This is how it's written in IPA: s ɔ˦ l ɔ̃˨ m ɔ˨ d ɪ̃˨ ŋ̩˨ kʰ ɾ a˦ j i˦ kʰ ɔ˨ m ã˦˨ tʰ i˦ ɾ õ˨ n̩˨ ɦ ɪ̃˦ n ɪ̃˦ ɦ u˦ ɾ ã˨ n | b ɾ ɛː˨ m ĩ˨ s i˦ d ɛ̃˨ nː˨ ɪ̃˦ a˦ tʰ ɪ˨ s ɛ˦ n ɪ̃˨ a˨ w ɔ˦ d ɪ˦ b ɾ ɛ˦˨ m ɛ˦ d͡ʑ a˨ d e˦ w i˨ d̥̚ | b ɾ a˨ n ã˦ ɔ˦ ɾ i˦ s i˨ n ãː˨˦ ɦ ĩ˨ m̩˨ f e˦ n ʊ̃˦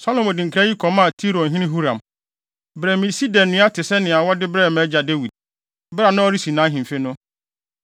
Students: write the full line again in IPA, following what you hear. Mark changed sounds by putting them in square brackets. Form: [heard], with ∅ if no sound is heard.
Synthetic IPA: s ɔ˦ l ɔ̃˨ m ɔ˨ d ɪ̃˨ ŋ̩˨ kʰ ɾ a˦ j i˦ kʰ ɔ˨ m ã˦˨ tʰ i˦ ɾ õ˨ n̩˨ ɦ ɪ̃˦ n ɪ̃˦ ɦ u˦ ɾ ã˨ [m] | b ɾ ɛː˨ m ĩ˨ s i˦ d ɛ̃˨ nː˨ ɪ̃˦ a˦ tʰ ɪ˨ s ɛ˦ n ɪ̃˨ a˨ w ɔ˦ d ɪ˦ b ɾ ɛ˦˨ m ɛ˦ d͡ʑ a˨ d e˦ w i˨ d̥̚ | b ɾ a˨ n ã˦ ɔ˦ ɾ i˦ s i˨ n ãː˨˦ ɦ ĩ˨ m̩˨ f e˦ n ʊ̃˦